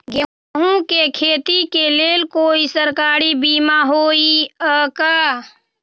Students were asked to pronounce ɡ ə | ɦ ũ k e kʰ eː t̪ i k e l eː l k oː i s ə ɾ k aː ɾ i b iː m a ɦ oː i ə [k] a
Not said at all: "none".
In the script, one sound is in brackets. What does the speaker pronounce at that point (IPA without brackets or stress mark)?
k